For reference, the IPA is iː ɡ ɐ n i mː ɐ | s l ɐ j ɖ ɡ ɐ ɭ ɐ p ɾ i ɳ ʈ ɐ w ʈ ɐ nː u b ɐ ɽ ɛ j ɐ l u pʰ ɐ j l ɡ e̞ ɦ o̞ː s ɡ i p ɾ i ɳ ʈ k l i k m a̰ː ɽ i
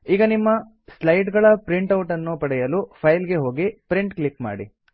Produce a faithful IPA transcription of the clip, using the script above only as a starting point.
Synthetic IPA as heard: iː ɡ ɐ n i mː ɐ | s l ɐ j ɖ ɡ ɐ ɭ ɐ p ɾ i ɳ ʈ ɐ w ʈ ɐ nː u p ɐ ɽ ɛ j ɐ l u pʰ ɐ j l ɡ e̞ ɦ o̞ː ɡ i p ɾ i ɳ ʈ k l i k m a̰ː ɽ i